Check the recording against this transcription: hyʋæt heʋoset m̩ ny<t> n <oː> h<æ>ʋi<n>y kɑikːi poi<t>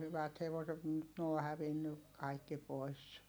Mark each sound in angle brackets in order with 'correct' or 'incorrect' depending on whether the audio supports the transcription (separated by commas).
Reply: correct, correct, correct, incorrect, incorrect